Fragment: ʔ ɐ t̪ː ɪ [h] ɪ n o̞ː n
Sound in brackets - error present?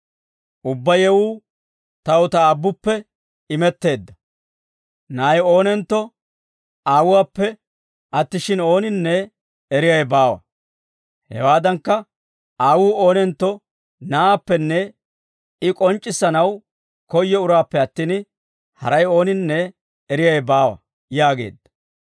yes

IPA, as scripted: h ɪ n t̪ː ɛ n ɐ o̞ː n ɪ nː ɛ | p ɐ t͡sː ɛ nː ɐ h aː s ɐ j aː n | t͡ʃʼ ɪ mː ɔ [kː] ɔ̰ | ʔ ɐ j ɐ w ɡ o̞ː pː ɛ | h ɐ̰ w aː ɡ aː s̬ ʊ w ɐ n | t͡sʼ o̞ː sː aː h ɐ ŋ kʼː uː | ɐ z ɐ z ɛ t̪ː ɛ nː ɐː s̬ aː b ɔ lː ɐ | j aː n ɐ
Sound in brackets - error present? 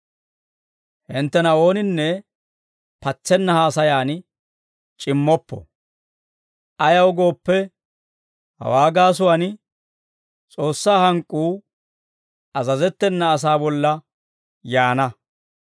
yes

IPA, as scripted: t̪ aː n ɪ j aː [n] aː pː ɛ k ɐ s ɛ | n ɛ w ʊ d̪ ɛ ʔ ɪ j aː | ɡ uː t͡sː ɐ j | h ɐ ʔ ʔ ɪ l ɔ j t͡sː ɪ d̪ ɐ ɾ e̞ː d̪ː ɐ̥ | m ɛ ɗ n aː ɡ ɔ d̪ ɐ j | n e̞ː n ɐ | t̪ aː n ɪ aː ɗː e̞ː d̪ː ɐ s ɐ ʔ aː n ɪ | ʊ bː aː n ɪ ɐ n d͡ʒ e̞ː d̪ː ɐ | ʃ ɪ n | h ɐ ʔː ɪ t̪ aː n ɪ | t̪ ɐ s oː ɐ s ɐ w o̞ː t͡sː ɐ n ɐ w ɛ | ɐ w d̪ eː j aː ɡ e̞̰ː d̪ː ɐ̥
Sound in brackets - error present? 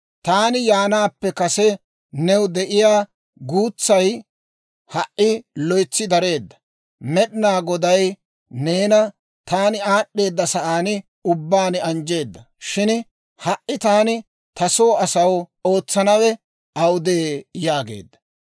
no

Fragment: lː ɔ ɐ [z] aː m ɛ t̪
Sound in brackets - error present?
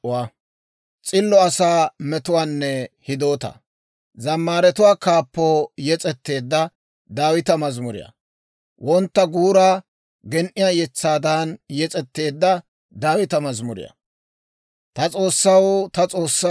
yes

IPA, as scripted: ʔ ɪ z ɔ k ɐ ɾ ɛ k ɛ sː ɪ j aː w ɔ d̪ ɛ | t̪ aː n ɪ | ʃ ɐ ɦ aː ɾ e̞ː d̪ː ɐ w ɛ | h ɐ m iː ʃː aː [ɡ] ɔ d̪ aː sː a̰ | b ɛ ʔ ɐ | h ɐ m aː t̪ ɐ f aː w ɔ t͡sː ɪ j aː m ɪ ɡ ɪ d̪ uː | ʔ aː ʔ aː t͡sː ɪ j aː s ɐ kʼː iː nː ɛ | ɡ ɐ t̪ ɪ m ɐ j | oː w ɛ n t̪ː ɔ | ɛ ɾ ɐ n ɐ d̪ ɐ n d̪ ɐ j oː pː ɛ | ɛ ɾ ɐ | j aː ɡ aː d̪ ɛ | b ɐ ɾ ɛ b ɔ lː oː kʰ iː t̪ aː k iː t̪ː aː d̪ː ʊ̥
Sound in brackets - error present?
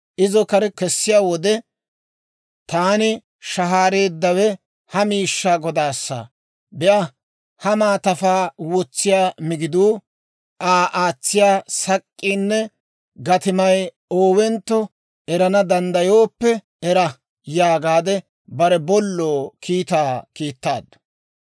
no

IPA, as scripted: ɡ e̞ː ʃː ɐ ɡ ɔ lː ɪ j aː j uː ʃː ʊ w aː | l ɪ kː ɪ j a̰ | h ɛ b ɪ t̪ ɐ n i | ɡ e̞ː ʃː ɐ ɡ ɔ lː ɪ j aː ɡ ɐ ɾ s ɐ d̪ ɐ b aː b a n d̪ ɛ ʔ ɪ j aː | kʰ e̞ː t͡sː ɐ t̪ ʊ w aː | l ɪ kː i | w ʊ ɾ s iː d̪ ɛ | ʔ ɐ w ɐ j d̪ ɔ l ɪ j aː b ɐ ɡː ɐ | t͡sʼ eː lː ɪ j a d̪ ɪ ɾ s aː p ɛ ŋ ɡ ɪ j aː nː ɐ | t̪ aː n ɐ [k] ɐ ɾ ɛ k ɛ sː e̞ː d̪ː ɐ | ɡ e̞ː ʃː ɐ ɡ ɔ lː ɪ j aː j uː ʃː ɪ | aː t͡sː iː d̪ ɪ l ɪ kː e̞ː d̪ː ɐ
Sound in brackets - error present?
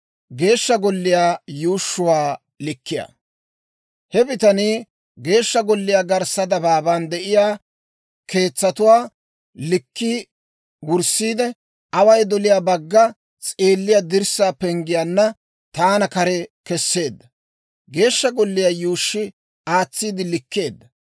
no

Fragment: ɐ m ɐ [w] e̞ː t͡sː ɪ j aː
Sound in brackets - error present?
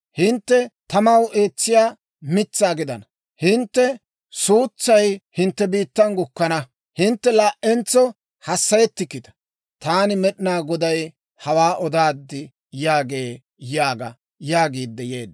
no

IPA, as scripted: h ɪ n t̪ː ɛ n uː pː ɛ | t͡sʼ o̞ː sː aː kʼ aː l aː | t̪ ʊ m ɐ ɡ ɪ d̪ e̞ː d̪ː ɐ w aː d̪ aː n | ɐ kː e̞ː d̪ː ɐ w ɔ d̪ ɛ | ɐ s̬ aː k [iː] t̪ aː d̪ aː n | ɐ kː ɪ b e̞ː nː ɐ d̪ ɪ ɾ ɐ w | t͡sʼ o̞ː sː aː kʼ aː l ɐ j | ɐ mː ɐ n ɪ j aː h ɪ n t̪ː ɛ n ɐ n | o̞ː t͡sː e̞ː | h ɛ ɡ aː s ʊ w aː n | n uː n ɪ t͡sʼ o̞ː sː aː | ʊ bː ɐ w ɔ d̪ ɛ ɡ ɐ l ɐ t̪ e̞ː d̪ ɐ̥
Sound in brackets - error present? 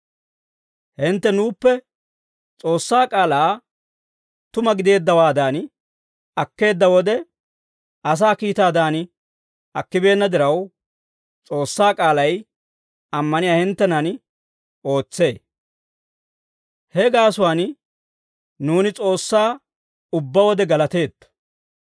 no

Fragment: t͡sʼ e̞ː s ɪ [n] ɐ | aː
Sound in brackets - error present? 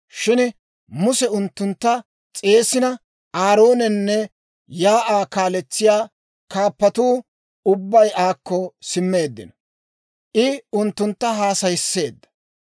no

